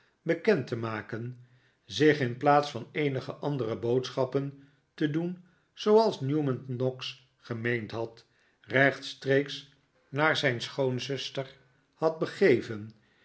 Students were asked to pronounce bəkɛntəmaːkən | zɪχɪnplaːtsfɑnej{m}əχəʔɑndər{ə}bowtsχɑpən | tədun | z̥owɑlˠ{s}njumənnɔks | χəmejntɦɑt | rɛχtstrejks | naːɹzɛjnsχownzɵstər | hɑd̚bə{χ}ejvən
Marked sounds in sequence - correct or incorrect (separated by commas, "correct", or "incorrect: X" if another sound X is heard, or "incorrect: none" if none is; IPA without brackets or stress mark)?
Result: incorrect: n, correct, correct, correct